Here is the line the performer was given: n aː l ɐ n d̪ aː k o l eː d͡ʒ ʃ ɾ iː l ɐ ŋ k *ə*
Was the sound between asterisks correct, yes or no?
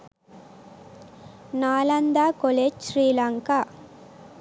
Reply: no